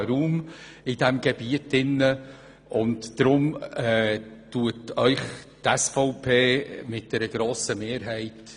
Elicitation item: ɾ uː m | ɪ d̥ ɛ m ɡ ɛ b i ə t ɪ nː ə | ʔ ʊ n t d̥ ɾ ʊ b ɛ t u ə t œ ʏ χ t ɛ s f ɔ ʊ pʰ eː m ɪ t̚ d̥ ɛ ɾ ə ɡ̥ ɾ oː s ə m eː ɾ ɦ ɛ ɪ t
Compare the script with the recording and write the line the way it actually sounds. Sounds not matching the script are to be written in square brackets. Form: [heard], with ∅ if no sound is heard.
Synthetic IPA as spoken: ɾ uː m | ɪ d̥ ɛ m ɡ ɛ b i ə t ɪ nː ə | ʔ ʊ n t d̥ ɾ ʊ [m] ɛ t u ə t œ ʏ χ t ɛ s f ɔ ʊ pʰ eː m ɪ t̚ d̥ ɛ ɾ ə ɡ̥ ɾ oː s ə m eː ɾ ɦ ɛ ɪ t